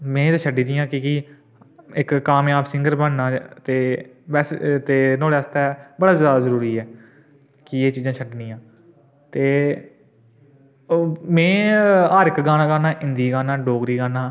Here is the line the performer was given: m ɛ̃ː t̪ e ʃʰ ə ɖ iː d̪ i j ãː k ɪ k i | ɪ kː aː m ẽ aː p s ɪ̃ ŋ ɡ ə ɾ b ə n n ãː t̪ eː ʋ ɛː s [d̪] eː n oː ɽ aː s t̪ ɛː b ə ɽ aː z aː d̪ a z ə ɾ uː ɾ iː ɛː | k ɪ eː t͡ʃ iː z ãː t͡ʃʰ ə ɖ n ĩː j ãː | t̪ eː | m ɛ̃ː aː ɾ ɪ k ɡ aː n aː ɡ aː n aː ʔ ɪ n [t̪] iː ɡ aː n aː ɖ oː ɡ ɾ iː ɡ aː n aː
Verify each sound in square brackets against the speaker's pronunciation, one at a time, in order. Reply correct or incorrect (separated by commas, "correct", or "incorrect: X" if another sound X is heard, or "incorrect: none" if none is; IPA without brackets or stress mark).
incorrect: t̪, incorrect: d̪